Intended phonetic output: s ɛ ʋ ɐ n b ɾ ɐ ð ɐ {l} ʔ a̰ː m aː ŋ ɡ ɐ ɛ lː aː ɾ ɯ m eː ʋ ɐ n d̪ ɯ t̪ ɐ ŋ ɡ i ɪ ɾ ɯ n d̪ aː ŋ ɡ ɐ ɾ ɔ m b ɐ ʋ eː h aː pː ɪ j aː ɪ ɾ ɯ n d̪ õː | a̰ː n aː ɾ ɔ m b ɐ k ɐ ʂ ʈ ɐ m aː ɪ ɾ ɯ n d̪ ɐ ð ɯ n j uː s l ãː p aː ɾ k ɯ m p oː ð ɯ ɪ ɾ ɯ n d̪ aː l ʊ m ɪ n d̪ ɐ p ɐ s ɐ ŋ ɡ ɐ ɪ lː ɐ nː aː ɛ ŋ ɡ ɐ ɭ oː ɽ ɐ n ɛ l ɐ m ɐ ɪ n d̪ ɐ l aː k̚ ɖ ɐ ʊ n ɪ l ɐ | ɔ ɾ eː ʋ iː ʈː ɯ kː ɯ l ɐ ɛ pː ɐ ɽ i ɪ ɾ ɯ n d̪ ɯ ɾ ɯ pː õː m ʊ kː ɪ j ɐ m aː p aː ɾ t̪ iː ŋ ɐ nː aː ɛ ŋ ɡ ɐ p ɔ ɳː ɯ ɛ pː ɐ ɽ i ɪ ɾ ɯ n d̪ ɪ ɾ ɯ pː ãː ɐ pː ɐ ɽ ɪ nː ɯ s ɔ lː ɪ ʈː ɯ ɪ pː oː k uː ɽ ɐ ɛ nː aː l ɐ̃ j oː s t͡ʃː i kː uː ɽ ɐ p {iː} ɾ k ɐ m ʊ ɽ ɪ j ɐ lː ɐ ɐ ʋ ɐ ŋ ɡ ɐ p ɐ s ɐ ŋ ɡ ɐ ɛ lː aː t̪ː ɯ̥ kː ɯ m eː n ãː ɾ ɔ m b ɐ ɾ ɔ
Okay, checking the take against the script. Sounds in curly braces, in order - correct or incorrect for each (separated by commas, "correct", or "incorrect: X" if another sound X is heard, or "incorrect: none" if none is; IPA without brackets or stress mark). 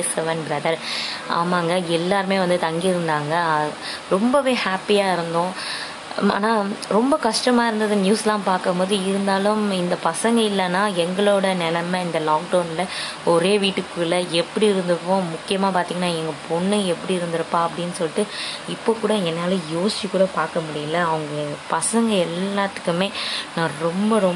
incorrect: ɾ, incorrect: aː